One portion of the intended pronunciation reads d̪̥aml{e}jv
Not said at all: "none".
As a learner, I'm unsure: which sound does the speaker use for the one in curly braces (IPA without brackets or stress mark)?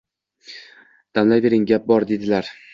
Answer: a